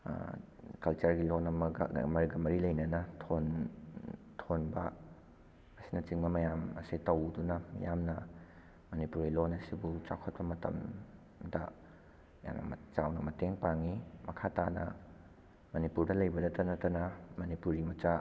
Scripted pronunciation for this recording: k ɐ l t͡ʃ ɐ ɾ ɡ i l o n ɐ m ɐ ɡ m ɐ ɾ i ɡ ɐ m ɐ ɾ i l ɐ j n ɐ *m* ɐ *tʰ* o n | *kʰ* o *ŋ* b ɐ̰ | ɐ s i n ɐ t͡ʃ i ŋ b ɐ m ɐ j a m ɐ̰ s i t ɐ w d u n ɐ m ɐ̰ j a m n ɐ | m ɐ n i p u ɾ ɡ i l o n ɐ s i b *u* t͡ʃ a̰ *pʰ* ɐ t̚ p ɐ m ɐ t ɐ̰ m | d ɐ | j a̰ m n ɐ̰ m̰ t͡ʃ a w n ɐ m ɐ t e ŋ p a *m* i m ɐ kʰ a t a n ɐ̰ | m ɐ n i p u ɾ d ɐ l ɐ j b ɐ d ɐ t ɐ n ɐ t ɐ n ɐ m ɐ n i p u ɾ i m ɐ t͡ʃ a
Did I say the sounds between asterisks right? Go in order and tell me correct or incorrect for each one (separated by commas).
incorrect, correct, incorrect, incorrect, correct, incorrect, incorrect